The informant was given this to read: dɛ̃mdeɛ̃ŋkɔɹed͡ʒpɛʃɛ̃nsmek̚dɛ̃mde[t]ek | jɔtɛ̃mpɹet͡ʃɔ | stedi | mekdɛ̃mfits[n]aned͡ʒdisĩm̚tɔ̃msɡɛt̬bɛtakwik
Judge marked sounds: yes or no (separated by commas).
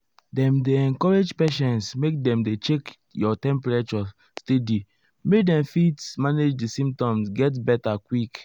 no, no